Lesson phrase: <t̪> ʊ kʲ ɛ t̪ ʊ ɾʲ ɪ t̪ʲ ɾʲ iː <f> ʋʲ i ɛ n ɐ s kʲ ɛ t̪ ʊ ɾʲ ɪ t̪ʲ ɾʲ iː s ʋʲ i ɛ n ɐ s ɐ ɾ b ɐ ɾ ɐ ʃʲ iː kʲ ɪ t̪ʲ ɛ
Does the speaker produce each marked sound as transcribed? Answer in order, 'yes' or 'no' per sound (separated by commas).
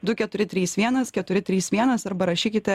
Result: no, no